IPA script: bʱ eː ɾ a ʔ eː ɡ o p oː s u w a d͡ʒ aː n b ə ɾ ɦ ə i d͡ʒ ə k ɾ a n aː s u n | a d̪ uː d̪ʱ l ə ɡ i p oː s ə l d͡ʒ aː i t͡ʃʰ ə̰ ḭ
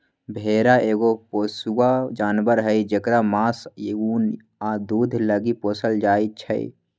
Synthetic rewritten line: bʱ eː ɾ a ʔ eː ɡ o p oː s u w a d͡ʒ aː n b ə ɾ ɦ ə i d͡ʒ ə k ɾ a m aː s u n | a d̪ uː d̪ʱ l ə ɡ i p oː s ə l d͡ʒ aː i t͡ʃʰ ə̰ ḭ